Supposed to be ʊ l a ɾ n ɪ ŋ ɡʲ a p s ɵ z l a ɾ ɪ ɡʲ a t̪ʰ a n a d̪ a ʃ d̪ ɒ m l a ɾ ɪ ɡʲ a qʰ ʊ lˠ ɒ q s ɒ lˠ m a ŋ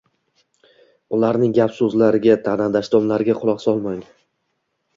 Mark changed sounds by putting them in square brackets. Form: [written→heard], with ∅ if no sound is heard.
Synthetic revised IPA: ʊ l a ɾ n ɪ ŋ ɡʲ a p s ɵ z l a ɾ ɪ ɡʲ a t̪ʰ a n a d̪ a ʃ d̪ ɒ m l a ɾ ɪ ɡʲ a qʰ ʊ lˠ ɒ q s ɒ lˠ m a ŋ